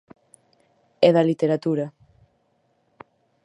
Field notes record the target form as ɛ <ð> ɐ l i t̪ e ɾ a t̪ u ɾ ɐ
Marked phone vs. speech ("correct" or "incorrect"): correct